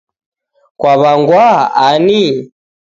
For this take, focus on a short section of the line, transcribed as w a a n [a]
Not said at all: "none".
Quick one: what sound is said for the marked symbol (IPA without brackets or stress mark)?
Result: i